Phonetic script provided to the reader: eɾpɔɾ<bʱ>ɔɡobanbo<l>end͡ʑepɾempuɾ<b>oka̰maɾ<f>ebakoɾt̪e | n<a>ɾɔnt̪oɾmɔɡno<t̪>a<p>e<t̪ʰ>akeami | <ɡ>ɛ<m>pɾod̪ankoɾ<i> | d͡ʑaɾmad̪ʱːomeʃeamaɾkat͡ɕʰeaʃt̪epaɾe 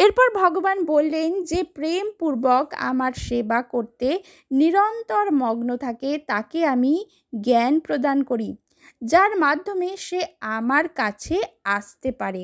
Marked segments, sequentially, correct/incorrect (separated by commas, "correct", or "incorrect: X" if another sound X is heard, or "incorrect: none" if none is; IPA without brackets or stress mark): correct, incorrect: lː, correct, incorrect: ʃ, incorrect: i, incorrect: t̪ʰ, incorrect: k, incorrect: t̪, correct, incorrect: n, correct